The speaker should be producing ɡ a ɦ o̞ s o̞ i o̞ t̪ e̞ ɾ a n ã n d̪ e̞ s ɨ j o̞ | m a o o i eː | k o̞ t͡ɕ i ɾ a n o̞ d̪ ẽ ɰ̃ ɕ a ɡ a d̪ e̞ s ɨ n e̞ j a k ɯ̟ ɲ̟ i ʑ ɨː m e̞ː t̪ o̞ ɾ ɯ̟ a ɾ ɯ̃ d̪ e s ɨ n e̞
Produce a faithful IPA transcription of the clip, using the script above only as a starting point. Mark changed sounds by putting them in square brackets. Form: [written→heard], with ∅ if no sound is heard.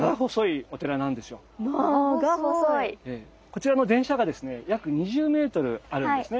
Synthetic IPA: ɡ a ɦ o̞ s o̞ i o̞ t̪ e̞ ɾ a n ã n d̪ e̞ s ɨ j o̞ | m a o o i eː | k o̞ t͡ɕ i ɾ a n o̞ d̪ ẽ ɰ̃ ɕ a ɡ a d̪ e̞ s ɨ n e̞ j a k ɯ̟ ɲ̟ i ʑ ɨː m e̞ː t̪ o̞ ɾ ɯ̟ a ɾ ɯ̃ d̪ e s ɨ n e̞

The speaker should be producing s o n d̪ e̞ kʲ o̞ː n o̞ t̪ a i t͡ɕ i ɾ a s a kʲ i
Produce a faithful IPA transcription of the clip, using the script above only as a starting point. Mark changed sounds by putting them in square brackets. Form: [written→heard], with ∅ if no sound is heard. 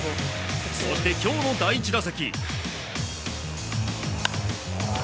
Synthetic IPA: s o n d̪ e̞ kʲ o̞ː n o̞ [t̪→d̪] a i t͡ɕ i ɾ a s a kʲ i

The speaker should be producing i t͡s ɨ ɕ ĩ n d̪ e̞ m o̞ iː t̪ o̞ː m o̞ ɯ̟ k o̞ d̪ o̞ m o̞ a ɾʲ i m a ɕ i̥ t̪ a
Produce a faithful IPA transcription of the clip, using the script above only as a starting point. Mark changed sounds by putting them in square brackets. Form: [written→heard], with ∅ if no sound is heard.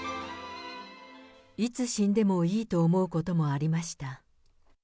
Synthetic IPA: i t͡s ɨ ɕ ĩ n d̪ e̞ m o̞ iː t̪ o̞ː m o̞ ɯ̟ k o̞ [d̪→t̪] o̞ m o̞ a ɾʲ i m a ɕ i̥ t̪ a

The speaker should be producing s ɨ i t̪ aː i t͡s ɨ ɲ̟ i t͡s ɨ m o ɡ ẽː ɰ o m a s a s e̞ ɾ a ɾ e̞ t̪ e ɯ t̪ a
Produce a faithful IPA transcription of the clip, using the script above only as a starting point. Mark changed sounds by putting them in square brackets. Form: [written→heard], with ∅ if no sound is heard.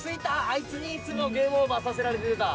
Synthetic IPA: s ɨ i t̪ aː i t͡s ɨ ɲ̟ i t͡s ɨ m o ɡ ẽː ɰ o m a s a s e̞ ɾ a ɾ e̞ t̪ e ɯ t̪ a

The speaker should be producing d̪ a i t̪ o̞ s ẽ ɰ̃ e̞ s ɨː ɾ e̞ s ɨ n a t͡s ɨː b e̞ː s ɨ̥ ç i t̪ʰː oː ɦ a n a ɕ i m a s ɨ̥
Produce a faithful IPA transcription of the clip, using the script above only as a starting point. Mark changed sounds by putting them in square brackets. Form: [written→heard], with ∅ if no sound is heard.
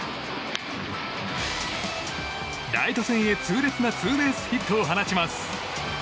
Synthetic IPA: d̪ a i t̪ o̞ s ẽ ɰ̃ e̞ [s→t͡s] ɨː ɾ e̞ [s→t͡s] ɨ n a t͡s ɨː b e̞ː s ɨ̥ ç i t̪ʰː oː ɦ a n a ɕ i m a s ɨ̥

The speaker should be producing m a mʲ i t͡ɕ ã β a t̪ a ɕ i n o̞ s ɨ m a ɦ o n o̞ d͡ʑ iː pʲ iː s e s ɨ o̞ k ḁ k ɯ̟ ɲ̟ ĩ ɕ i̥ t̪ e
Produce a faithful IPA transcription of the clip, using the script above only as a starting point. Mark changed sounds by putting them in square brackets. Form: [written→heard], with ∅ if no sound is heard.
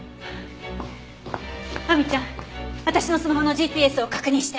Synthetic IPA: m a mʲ i t͡ɕ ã β a t̪ a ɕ i n o̞ s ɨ m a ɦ o n o̞ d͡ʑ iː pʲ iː [s→∅] e s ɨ o̞ k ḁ k ɯ̟ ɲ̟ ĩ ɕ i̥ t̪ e

